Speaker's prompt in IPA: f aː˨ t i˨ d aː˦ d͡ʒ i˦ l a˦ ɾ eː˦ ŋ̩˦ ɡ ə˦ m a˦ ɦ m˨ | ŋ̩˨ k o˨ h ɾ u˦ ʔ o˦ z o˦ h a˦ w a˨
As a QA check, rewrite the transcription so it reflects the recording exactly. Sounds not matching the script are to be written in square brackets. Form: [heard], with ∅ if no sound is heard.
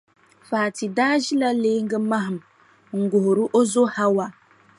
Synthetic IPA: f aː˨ t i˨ d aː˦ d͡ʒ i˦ l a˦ [l] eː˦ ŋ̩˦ ɡ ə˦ m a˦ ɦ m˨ | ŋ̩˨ [ɡ] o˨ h ɾ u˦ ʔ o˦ z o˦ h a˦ w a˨